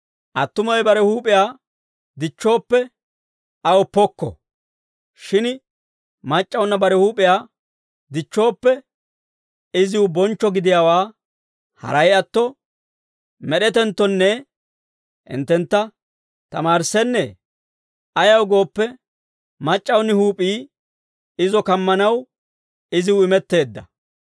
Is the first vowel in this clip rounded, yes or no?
no